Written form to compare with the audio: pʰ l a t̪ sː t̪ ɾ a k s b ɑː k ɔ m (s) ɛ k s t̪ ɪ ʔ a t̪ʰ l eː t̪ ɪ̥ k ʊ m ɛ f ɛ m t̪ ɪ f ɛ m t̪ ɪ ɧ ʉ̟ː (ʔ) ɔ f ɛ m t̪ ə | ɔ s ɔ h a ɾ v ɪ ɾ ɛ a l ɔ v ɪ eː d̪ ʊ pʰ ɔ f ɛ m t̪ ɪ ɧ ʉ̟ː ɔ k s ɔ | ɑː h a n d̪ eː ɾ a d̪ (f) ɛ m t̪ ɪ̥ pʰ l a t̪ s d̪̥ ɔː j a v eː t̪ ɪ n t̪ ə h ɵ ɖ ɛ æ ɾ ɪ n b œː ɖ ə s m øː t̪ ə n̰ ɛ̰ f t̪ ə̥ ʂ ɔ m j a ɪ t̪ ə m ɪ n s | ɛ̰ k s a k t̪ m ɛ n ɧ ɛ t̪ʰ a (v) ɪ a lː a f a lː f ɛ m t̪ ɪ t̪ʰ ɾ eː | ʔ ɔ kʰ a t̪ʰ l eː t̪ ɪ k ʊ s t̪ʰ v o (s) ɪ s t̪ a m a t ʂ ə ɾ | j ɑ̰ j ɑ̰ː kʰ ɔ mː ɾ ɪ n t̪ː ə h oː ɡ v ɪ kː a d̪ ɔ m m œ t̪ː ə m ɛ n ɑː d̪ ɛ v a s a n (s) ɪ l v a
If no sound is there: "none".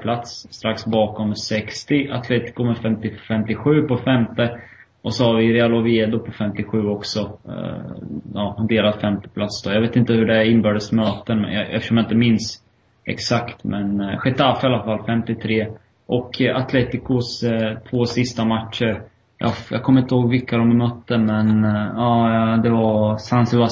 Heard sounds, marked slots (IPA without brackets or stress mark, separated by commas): s, p, f, f, s, s